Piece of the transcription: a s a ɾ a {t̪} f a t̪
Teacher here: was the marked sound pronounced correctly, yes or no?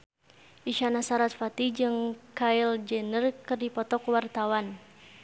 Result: yes